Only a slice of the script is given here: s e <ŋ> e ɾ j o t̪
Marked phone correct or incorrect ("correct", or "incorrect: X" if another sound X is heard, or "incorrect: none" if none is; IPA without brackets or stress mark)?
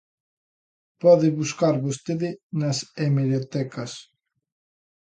incorrect: m